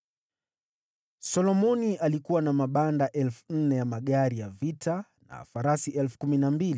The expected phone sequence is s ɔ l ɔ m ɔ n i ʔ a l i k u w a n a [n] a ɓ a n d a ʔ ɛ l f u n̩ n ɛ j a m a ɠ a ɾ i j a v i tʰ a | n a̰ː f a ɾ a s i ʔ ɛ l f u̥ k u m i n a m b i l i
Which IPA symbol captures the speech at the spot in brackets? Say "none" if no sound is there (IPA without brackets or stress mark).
m